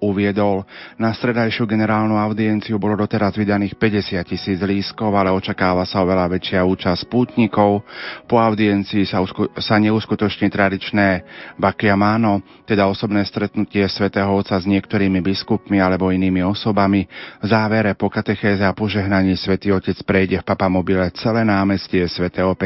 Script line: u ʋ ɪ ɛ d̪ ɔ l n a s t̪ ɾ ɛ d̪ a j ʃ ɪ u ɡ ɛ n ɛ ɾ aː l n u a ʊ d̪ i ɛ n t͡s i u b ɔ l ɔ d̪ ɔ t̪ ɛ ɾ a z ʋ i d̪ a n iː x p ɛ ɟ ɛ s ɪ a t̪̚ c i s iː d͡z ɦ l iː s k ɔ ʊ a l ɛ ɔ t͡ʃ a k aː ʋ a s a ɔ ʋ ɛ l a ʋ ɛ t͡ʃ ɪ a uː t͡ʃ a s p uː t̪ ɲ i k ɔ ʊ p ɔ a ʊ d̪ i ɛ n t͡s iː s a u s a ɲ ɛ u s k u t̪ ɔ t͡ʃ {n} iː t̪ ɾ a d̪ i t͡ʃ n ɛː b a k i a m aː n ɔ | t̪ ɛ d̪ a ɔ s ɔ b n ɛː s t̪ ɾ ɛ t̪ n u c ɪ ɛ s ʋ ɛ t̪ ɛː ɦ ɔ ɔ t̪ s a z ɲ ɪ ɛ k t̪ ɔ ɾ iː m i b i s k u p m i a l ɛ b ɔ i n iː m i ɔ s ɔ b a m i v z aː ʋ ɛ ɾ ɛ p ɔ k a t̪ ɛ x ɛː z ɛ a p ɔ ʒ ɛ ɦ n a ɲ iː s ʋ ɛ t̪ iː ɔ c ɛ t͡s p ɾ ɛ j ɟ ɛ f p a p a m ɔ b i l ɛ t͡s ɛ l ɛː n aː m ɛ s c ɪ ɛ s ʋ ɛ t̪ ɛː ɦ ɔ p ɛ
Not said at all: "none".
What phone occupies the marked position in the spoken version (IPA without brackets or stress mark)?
ɲ